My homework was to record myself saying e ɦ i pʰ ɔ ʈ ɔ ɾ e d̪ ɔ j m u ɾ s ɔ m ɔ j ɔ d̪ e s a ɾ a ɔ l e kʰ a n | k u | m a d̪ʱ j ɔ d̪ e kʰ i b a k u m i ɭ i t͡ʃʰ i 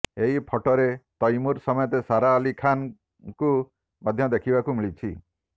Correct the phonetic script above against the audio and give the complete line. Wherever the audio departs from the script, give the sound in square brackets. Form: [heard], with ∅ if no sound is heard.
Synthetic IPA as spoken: e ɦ i pʰ ɔ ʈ ɔ ɾ e [t̪] ɔ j m u ɾ s ɔ m ɔ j ɔ [t̪] e s a ɾ a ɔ l [i] kʰ a n | k u | m a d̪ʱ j ɔ d̪ e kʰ i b a k u m i ɭ i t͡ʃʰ i